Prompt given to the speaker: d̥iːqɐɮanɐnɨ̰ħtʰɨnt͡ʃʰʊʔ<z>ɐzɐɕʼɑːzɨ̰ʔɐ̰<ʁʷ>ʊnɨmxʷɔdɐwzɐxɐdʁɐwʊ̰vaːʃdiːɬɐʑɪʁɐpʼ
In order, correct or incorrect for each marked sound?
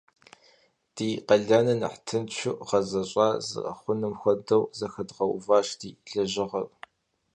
incorrect, incorrect

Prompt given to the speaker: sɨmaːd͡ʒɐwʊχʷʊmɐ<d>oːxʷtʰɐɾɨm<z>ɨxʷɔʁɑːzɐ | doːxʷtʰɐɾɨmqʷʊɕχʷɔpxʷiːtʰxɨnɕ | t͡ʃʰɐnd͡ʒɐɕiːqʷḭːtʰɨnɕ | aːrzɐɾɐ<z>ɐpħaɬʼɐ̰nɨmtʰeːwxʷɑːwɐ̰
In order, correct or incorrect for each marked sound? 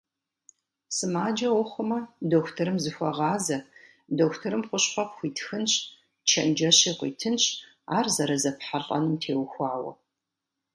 correct, correct, correct

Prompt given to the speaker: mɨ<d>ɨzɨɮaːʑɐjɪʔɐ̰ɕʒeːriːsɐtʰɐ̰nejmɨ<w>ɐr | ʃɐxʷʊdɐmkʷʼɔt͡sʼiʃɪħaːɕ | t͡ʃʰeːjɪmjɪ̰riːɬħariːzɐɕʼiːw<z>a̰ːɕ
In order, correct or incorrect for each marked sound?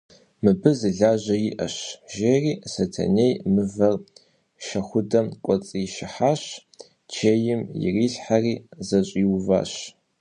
incorrect, incorrect, incorrect

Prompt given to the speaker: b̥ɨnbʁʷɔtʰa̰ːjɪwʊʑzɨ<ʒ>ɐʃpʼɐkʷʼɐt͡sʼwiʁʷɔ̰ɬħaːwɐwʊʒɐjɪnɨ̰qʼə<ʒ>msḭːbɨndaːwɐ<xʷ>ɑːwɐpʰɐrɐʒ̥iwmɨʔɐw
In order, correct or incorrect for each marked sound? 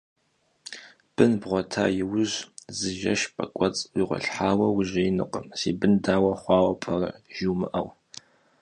correct, incorrect, incorrect

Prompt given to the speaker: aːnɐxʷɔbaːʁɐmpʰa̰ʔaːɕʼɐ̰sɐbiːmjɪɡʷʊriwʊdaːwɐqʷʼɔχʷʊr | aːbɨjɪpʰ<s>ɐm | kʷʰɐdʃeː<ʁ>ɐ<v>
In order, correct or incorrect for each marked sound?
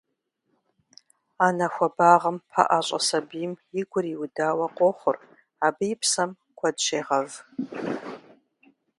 correct, correct, correct

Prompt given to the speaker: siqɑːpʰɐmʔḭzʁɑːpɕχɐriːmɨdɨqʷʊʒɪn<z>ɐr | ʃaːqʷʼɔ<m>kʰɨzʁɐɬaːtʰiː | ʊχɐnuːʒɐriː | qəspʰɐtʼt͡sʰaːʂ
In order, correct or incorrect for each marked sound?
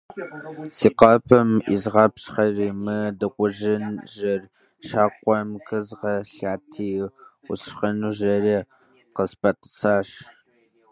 incorrect, correct

